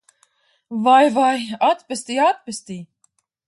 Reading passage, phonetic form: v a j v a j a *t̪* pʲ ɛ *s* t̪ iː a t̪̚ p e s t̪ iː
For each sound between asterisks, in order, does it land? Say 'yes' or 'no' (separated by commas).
yes, yes